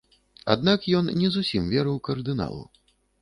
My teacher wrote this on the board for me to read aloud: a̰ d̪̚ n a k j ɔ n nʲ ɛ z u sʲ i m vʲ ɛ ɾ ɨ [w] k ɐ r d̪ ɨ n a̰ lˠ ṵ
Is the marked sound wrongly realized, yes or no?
no